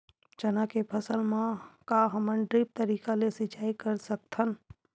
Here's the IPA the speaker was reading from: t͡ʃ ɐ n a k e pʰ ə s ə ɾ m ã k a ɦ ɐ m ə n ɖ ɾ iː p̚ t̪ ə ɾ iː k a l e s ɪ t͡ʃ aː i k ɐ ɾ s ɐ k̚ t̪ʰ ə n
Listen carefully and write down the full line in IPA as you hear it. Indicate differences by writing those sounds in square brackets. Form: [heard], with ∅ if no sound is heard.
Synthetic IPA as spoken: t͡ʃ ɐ n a k e pʰ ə s ə [l] m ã k a ɦ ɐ m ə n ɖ ɾ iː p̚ t̪ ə ɾ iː k a l e s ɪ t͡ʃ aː i k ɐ ɾ s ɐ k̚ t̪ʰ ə n